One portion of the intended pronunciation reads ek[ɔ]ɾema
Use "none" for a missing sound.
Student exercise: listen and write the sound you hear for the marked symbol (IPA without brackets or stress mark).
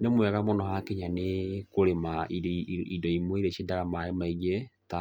o